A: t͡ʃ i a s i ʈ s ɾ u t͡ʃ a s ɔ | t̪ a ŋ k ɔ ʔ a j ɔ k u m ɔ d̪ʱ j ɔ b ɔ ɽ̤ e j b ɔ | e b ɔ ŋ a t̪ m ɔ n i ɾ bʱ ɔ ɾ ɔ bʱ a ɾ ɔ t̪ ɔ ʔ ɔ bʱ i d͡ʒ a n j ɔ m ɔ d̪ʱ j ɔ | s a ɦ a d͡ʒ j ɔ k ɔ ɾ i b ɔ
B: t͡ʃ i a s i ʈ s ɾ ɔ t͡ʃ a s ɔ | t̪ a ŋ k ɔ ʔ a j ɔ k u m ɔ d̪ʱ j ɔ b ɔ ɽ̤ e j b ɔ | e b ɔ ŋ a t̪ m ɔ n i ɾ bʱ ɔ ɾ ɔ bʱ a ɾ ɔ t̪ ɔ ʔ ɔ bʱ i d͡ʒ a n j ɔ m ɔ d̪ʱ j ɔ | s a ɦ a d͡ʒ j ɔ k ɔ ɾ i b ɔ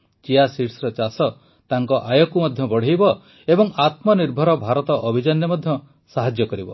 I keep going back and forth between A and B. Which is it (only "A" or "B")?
B